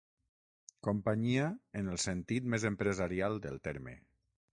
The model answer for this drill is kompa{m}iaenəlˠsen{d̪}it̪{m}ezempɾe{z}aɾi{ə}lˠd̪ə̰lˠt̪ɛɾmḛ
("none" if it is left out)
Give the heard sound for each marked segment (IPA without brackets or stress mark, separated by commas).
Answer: ɲ, t̪, m, z, a